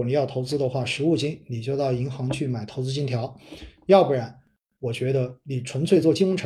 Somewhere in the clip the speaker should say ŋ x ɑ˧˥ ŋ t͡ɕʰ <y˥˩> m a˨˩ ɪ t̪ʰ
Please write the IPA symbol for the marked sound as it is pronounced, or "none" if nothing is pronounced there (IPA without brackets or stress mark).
y˥˩